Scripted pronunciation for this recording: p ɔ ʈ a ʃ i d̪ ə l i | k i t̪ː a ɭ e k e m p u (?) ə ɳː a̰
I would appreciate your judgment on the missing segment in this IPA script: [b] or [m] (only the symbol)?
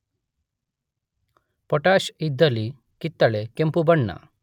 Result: b